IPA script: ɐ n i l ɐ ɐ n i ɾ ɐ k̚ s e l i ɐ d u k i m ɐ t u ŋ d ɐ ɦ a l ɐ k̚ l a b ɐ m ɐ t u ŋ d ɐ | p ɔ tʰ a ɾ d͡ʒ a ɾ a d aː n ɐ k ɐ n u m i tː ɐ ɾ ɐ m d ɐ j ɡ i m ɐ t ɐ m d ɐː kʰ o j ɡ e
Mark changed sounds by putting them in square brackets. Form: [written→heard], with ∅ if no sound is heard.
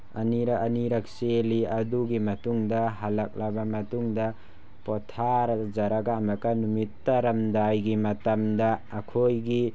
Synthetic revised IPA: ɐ n i [l→ɾ] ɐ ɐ n i ɾ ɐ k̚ s e l i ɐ d u [k→ɡ] i m ɐ t u ŋ d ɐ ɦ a l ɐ k̚ l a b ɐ m ɐ t u ŋ d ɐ | p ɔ tʰ a ɾ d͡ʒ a ɾ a [d→ɡ] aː [n→m] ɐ k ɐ n u m i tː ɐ ɾ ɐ m d [ɐ→a] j ɡ i m ɐ t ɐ m d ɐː kʰ o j ɡ [e→i]